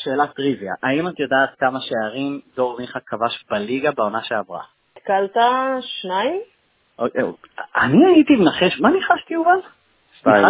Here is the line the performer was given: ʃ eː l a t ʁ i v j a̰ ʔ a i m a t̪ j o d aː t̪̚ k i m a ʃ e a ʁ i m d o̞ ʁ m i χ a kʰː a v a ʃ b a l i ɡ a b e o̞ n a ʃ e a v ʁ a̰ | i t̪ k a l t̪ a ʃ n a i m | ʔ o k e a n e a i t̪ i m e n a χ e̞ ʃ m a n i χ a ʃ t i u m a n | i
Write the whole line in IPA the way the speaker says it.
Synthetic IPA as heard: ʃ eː l a t ʁ i v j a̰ ʔ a i m a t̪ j o d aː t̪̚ k a m a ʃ e a ʁ i m d o̞ ʁ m i χ a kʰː a v a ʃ b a l i ɡ a b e o̞ n a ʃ e a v ʁ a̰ | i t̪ k a l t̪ a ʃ n a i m | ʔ o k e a n i a i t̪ i m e n a χ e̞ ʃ m a n i χ a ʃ t i u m a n | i